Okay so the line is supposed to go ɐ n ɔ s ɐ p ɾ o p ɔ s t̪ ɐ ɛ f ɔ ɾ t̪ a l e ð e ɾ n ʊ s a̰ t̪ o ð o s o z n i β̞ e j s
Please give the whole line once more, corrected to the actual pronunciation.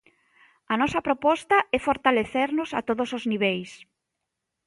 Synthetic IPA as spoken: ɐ n ɔ s ɐ p ɾ o p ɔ s t̪ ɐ ɛ f o ɾ t̪ a l e θ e ɾ n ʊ s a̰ t̪ o ð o s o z n i β̞ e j s